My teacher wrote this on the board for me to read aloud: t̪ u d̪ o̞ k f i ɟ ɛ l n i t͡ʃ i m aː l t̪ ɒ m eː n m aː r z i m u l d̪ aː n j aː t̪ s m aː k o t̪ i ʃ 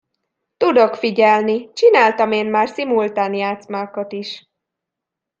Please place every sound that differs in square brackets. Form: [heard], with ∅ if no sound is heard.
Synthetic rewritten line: t̪ u d̪ o̞ k f i ɟ ɛ l n i t͡ʃ i [n] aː l t̪ ɒ m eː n m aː r [s] i m u l [t̪] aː n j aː t̪ s m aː k o t̪ i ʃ